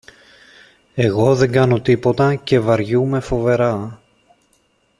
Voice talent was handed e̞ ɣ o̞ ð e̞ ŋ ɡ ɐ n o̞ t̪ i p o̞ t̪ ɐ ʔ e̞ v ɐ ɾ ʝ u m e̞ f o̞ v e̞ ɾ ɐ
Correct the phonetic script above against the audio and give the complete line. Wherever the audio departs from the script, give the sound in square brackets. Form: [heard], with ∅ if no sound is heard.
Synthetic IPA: e̞ ɣ o̞ ð e̞ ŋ ɡ ɐ n o̞ t̪ i p o̞ t̪ ɐ [c] e̞ v ɐ ɾ ʝ u m e̞ f o̞ v e̞ ɾ ɐ